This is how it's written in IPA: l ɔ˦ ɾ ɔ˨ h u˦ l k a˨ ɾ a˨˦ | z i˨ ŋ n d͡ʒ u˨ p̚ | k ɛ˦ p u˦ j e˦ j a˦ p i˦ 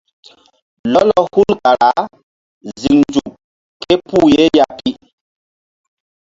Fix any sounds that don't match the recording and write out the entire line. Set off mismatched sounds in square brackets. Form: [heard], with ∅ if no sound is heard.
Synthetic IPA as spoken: l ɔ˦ [l] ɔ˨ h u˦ l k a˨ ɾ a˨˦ | z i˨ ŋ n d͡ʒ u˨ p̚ | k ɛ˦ p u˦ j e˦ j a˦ p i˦

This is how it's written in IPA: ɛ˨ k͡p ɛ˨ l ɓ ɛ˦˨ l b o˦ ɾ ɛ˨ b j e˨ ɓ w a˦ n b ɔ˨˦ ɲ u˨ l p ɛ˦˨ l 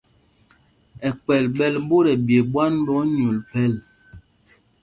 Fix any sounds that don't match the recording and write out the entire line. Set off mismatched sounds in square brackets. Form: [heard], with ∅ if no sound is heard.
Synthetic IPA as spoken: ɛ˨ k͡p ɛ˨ l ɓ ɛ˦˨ l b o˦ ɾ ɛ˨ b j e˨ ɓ w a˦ n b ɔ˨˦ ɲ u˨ l p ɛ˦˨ l

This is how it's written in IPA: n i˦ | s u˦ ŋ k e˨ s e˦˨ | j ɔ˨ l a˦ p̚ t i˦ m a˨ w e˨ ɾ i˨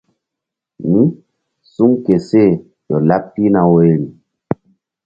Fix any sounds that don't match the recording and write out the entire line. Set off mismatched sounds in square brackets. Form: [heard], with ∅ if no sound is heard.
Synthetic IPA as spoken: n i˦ | s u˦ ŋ k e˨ s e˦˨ | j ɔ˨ l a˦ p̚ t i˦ [n] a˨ w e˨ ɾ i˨

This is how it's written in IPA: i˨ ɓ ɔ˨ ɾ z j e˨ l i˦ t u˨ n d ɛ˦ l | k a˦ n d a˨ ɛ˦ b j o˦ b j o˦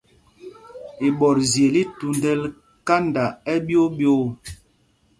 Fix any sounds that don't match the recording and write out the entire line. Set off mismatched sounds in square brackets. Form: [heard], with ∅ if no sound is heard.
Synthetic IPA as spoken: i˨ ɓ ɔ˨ ɾ z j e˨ l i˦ t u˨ n d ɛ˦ l | k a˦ n d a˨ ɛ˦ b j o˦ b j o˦

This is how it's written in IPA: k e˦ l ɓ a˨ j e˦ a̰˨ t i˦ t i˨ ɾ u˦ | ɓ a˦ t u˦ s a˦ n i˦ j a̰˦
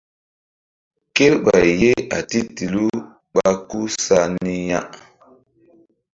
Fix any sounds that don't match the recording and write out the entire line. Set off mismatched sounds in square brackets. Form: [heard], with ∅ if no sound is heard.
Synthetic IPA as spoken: k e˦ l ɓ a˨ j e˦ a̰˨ t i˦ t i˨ [l] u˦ | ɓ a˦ [k] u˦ s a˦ n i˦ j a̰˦

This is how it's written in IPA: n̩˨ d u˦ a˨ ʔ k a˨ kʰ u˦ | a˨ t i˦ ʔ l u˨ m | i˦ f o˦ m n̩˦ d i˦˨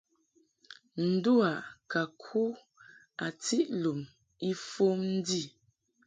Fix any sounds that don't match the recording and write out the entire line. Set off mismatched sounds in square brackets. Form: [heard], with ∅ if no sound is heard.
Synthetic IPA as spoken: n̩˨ d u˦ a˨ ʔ k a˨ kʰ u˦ | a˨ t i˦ ʔ l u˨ m | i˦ f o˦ m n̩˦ d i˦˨

